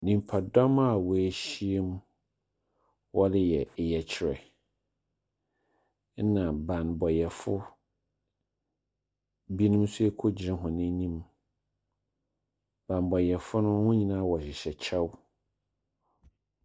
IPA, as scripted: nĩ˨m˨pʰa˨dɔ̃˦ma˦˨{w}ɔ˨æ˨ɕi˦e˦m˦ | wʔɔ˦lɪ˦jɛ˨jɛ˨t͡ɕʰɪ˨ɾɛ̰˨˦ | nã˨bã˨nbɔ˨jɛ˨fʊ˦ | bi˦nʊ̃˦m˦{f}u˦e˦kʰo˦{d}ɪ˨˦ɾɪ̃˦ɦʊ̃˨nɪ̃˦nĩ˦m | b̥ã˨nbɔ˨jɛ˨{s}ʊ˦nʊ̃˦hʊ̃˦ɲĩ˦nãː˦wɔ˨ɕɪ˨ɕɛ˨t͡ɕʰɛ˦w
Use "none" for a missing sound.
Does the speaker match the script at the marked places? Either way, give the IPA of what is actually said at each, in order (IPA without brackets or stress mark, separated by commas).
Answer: w, s, d͡ʑ, f